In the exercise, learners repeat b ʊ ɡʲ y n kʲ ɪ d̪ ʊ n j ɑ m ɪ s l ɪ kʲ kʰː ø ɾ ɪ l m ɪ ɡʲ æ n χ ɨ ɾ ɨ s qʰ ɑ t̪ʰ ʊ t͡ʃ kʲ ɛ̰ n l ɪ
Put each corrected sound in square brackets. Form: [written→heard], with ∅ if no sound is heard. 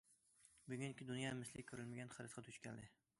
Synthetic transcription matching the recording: b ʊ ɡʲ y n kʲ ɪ d̪ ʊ n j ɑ m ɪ s l ɪ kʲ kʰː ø ɾ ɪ l m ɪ ɡʲ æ n χ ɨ ɾ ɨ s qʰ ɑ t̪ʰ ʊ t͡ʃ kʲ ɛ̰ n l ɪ

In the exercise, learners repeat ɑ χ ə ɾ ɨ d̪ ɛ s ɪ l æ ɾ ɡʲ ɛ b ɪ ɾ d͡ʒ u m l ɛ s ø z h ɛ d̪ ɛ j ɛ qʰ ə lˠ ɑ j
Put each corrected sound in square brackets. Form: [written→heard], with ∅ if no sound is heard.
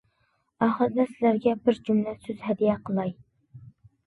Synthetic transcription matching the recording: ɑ χ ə ɾ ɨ d̪ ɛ s ɪ l æ ɾ ɡʲ ɛ b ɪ ɾ d͡ʒ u m l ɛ s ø z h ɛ d̪ [ɛ→i] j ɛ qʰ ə lˠ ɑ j

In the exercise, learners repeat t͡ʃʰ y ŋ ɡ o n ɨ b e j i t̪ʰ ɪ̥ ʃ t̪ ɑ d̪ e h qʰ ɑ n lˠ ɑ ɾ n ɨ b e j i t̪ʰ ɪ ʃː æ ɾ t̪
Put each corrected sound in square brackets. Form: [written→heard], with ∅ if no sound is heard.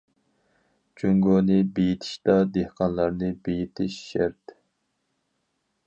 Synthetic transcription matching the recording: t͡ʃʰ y ŋ ɡ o n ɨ b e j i t̪ʰ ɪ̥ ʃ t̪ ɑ d̪ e h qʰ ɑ n lˠ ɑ ɾ n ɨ b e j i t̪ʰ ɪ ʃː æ ɾ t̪

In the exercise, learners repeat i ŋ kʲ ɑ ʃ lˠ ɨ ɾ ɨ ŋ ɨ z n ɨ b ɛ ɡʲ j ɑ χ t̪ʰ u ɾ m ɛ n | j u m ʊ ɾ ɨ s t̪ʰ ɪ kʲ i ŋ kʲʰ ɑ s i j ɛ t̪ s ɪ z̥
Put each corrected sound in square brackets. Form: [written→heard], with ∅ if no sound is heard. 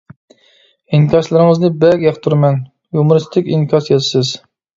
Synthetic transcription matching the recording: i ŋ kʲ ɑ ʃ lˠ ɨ ɾ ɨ ŋ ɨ z n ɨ b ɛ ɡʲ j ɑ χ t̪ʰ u ɾ m ɛ n | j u m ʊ ɾ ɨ s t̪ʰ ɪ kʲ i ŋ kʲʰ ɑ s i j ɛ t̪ s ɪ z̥

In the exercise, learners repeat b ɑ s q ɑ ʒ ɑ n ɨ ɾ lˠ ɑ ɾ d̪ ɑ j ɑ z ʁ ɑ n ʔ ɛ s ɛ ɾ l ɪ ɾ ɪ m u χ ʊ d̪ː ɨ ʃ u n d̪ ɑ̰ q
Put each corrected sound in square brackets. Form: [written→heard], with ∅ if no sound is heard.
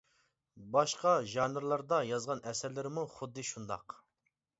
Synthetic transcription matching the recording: b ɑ [s→ʃ] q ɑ ʒ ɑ n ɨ ɾ lˠ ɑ ɾ d̪ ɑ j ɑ z ʁ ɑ n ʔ ɛ s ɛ ɾ l ɪ ɾ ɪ m u χ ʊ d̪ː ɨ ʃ u n d̪ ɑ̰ q

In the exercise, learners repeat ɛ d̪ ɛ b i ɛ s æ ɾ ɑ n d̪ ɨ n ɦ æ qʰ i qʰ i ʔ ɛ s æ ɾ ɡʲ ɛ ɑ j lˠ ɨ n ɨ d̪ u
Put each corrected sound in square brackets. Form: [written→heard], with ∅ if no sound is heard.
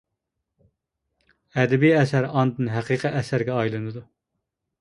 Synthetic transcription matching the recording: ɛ d̪ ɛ b i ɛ s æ ɾ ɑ n d̪ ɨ n ɦ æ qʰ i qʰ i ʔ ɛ s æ ɾ ɡʲ ɛ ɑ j lˠ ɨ n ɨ d̪ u

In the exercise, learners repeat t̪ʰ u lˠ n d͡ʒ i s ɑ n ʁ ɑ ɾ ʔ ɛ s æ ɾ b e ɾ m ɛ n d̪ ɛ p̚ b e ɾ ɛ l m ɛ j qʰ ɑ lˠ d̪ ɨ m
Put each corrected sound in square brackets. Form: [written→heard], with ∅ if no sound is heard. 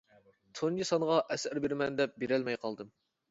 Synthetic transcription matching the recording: t̪ʰ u [lˠ→∅] n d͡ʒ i s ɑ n ʁ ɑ [ɾ→∅] ʔ ɛ s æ ɾ b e ɾ m ɛ n d̪ ɛ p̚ b e ɾ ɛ l m ɛ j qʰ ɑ lˠ d̪ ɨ m

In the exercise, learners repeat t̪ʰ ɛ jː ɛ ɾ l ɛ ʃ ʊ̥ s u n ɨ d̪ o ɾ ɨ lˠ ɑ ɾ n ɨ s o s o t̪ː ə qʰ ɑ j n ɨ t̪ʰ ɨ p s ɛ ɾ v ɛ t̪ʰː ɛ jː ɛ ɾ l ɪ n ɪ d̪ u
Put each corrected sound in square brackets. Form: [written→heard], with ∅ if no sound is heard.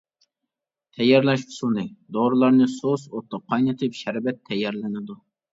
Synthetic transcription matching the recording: t̪ʰ ɛ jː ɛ ɾ l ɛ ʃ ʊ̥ s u n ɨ d̪ o ɾ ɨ lˠ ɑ ɾ n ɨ s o s o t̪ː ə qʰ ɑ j n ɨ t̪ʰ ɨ p [s→ʃ] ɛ ɾ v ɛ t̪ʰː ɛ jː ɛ ɾ l ɪ n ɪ d̪ u

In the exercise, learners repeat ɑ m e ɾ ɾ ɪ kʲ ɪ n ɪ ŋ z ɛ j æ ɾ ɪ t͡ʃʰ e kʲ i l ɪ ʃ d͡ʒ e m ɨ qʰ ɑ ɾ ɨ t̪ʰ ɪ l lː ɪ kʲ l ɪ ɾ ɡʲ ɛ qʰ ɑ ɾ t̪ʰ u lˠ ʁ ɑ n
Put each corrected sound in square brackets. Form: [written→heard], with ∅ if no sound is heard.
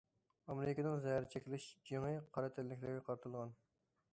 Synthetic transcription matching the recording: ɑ m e ɾ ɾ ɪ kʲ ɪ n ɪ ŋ z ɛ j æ ɾ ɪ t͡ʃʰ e kʲ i l ɪ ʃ d͡ʒ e [m→ŋ] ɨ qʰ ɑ ɾ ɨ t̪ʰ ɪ l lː ɪ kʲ l ɪ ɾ ɡʲ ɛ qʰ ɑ ɾ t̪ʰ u lˠ ʁ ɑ n

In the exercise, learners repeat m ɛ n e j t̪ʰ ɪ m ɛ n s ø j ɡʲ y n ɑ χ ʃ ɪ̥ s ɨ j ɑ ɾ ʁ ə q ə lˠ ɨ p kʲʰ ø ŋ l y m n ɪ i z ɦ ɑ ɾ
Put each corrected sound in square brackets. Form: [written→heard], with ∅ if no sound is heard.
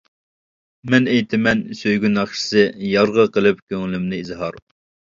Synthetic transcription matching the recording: m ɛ n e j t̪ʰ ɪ m ɛ n s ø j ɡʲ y n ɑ χ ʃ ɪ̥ s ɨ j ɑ ɾ ʁ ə q ə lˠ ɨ p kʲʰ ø ŋ l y m n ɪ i z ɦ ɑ ɾ

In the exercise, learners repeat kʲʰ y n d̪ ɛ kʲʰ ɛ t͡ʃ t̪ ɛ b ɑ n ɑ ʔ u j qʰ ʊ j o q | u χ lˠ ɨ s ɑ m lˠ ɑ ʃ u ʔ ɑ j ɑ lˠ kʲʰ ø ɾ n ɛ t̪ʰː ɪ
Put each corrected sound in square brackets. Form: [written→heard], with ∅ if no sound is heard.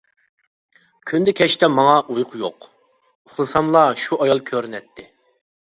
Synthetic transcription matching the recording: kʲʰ y n d̪ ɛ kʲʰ ɛ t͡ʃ t̪ ɛ [b→m] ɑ [n→ŋ] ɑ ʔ u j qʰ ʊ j o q | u χ lˠ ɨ s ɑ m lˠ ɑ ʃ u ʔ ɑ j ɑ lˠ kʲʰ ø ɾ n ɛ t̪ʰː ɪ

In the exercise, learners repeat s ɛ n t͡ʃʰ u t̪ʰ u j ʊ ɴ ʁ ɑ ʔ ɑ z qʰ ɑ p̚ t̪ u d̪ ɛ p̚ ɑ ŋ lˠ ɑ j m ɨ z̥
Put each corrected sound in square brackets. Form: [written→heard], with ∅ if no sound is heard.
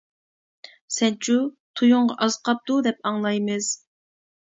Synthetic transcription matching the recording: s ɛ n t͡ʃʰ u t̪ʰ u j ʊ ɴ ʁ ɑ ʔ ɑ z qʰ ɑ p̚ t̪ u d̪ ɛ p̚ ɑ ŋ lˠ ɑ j m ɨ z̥

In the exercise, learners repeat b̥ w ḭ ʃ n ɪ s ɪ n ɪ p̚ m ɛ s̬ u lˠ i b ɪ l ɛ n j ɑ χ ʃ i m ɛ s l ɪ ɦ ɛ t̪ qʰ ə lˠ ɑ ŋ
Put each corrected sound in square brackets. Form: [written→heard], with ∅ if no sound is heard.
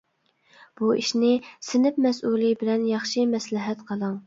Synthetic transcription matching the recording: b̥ [w→u] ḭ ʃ n ɪ s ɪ n ɪ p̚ m ɛ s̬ u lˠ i b ɪ l ɛ n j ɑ χ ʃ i m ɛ s l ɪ ɦ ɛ t̪ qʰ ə lˠ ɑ ŋ

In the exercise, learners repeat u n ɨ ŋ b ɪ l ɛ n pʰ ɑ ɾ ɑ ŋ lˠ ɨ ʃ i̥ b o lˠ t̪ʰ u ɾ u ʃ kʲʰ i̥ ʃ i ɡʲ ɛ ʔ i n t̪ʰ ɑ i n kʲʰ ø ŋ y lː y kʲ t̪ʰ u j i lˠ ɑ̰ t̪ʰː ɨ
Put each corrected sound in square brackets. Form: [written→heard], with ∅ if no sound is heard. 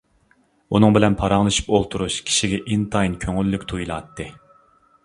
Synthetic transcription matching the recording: u n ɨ ŋ b ɪ l ɛ n pʰ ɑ ɾ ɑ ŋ lˠ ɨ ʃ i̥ [b→p] o lˠ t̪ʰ u ɾ u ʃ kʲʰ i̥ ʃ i ɡʲ ɛ ʔ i n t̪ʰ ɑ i n kʲʰ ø ŋ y lː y kʲ t̪ʰ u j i lˠ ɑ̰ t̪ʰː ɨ

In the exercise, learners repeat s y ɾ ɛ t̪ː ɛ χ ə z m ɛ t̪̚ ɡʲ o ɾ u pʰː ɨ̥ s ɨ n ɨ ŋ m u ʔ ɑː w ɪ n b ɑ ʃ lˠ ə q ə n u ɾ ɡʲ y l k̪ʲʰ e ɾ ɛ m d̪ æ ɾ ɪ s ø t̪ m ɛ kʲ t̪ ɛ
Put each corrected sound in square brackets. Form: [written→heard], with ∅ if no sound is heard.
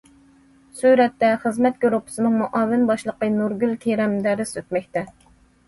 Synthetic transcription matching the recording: s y ɾ ɛ t̪ː ɛ χ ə z m ɛ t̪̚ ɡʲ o ɾ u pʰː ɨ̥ s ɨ n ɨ ŋ m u ʔ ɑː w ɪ n b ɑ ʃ lˠ ə q ə n u ɾ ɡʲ y l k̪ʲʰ e ɾ ɛ m d̪ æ ɾ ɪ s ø t̪ m ɛ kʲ t̪ ɛ

